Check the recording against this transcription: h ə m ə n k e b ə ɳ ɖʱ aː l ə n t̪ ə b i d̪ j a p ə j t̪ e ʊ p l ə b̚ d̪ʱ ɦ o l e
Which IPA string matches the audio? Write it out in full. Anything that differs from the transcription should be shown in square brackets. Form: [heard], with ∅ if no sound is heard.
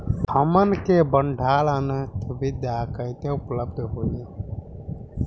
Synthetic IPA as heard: h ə m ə n k e b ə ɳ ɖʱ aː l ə n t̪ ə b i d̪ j a [k] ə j t̪ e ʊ p l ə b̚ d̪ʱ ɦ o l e